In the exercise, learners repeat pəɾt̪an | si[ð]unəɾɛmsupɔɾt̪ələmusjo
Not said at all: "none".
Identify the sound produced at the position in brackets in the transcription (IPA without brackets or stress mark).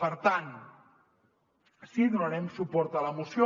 ð